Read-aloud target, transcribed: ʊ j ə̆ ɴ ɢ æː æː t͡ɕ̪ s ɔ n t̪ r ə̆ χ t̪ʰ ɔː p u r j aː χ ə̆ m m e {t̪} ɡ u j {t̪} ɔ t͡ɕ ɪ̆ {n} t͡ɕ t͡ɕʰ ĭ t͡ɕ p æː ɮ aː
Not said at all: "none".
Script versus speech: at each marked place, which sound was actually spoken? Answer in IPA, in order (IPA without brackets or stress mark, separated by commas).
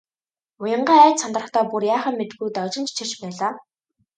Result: t̪, t̪, n